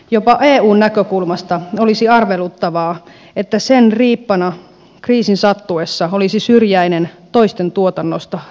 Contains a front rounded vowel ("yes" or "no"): yes